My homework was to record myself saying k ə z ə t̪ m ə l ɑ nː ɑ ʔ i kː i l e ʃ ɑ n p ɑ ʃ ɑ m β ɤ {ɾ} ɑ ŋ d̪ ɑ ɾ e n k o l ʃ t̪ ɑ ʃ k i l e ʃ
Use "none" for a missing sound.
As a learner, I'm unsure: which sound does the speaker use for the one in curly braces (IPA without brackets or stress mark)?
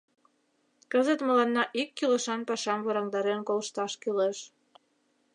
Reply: ɾ